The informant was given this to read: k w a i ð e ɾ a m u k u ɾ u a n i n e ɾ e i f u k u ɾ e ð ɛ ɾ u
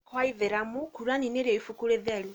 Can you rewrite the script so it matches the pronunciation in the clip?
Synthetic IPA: k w a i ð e ɾ a m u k u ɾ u a n i n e ɾ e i f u k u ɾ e ð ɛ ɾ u